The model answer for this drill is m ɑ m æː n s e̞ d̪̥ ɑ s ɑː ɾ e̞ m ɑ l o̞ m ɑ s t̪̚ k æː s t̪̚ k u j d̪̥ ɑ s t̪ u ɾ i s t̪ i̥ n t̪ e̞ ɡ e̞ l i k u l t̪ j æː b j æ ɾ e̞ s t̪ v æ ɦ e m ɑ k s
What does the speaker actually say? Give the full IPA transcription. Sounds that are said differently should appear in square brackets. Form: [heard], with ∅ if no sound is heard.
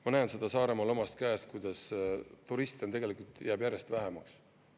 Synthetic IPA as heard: m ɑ [n] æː n s e̞ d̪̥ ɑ s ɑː ɾ e̞ m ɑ l o̞ m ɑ s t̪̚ k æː s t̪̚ k u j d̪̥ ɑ s t̪ u ɾ i s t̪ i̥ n t̪ e̞ ɡ e̞ l i k u l t̪ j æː b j æ ɾ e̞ s t̪ v æ ɦ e m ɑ k s